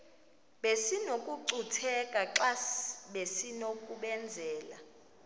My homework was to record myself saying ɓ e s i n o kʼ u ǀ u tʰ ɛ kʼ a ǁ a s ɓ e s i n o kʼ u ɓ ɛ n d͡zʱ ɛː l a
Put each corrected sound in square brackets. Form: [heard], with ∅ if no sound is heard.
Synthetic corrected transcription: ɓ e s i n o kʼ u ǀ u tʰ ɛ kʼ a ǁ a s ɓ e s i n o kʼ u ɓ ɛ n d͡zʱ ɛː l a